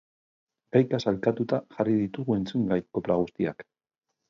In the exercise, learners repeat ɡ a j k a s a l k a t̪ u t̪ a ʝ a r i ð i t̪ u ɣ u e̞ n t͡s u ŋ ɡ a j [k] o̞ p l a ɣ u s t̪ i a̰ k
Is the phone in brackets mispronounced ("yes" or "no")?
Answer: no